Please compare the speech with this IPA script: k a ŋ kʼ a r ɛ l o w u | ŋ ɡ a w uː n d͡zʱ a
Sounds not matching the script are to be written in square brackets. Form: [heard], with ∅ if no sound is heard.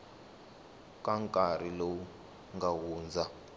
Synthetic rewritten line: k a ŋ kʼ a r [i] l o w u | ŋ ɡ a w uː n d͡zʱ a